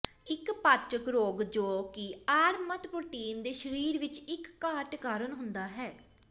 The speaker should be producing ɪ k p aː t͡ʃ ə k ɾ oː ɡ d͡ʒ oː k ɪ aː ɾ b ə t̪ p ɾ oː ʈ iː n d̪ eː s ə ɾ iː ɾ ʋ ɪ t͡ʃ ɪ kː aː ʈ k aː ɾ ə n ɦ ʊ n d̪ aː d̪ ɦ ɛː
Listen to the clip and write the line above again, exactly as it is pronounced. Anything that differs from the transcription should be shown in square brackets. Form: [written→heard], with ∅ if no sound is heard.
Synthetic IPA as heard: ɪ k p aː t͡ʃ ə k ɾ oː ɡ d͡ʒ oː k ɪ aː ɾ [b→m] ə t̪ p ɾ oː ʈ iː n d̪ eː [s→ʃ] ə ɾ iː ɾ ʋ ɪ t͡ʃ ɪ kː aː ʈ k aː ɾ ə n ɦ ʊ n d̪ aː [d̪→∅] ɦ ɛː